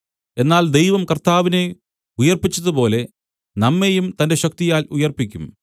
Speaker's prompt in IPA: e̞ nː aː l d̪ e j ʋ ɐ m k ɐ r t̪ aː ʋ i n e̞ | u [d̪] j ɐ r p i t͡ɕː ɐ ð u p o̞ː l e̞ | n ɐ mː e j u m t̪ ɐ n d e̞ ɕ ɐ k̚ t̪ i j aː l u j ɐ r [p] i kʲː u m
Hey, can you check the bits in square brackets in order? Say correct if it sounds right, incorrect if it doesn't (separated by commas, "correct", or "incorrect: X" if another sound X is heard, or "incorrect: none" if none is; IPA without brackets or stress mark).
incorrect: none, correct